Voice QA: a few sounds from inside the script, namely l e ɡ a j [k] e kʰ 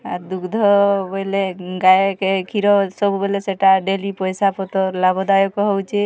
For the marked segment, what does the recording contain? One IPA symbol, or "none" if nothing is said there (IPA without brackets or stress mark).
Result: k